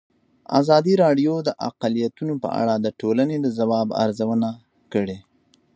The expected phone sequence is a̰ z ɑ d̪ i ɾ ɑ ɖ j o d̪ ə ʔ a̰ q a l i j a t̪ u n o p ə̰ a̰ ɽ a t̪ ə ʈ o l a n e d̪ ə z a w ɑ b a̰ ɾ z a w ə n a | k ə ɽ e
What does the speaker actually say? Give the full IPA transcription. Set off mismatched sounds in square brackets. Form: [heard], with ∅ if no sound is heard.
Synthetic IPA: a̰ z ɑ d̪ i ɾ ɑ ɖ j o d̪ ə ʔ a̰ q a l i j a t̪ u n o p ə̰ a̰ ɽ a [d̪] ə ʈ o l a n e d̪ ə z a w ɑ b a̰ ɾ z a w ə n a | k ə ɽ e